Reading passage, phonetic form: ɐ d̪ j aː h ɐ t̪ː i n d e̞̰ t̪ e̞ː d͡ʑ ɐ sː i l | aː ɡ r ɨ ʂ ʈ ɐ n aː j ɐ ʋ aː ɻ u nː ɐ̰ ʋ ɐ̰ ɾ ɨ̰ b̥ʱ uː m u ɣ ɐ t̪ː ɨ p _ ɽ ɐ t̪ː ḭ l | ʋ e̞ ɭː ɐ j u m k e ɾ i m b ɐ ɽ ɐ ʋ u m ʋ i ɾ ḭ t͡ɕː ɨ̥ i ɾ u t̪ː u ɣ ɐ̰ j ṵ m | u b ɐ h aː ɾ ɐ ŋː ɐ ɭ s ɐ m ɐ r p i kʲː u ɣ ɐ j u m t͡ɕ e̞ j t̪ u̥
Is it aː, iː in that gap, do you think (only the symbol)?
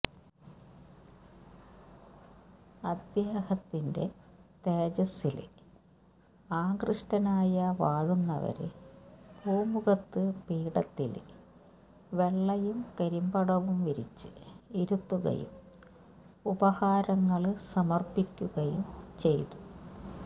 iː